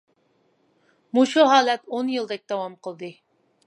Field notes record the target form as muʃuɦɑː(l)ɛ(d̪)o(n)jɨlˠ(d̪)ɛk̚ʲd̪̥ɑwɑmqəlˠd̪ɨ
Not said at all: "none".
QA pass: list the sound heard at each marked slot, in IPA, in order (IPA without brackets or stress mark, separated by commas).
l, t̪, n, d̪